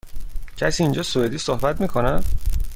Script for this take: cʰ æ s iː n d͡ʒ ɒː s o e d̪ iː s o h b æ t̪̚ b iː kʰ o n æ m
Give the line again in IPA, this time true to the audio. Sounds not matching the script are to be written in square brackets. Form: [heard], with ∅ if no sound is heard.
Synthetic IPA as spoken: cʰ æ s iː n d͡ʒ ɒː s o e d̪ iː s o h b æ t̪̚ [m] iː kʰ o n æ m